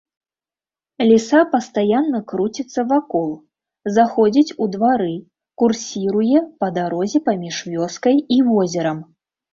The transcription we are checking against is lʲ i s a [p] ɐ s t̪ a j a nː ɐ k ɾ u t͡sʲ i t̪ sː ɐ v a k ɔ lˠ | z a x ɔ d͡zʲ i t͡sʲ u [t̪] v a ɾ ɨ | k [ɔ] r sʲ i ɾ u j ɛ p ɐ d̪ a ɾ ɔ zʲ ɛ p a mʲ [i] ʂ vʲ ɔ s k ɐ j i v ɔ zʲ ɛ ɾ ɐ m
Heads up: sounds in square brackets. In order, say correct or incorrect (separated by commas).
correct, incorrect, incorrect, correct